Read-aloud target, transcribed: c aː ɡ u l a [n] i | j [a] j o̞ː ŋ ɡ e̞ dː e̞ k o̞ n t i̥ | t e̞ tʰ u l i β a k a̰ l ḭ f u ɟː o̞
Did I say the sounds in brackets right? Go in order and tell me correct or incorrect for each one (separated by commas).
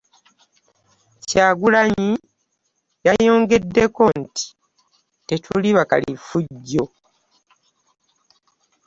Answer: incorrect, correct